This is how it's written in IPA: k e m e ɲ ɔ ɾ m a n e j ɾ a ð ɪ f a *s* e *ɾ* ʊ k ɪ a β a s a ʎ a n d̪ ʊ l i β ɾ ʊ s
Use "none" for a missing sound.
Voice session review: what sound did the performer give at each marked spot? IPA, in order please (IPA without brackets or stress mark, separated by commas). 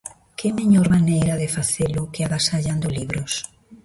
θ, l